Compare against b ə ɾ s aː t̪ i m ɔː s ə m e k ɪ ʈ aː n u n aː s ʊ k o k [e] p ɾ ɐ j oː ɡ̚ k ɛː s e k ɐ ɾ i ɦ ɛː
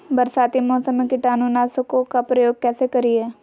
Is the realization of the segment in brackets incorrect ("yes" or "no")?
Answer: yes